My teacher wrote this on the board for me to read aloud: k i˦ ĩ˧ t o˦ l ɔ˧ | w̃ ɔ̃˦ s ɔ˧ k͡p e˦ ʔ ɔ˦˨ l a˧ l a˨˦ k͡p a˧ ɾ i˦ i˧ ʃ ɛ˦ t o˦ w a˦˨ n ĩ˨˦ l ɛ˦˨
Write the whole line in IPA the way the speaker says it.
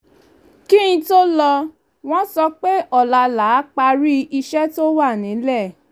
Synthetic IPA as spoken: k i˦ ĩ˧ t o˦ l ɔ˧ | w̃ ɔ̃˦ s ɔ˧ k͡p e˦ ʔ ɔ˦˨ l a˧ l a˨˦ k͡p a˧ ɾ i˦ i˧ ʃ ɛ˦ t o˦ w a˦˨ n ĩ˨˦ l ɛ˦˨